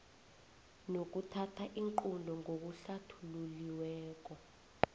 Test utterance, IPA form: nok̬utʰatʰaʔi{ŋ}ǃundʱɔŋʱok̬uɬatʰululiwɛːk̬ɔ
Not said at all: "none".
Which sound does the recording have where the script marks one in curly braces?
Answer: ŋ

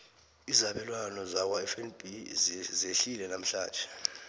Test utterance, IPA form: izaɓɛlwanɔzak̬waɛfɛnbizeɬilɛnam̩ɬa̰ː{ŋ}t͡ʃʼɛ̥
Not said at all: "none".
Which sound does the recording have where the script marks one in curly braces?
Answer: n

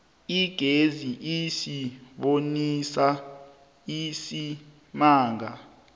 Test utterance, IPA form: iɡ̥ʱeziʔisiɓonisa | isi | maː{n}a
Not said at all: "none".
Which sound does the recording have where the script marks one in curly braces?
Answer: ŋ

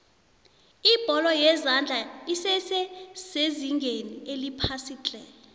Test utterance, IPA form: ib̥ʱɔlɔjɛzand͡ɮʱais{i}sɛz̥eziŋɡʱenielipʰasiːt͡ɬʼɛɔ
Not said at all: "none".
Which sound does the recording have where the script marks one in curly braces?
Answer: ɛ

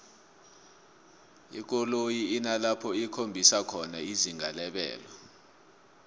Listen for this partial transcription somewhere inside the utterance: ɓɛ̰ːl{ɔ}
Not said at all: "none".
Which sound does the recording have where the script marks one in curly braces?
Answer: ɔ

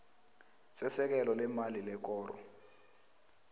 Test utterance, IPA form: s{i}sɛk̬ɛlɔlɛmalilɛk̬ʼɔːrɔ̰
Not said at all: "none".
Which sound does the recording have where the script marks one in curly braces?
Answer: ɛ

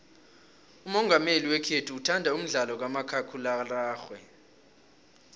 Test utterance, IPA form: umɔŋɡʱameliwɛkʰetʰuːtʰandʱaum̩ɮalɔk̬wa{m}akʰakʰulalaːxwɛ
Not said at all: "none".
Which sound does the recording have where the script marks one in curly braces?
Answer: m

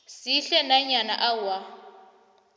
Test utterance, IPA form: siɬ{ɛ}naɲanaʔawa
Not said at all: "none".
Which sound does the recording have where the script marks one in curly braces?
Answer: ɛ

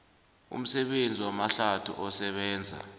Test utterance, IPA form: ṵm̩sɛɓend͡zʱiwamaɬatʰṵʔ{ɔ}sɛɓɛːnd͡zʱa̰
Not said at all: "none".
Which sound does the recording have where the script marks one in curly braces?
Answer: ɔ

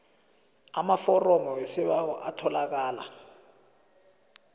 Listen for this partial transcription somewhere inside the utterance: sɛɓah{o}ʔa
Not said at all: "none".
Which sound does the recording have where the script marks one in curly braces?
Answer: ɔ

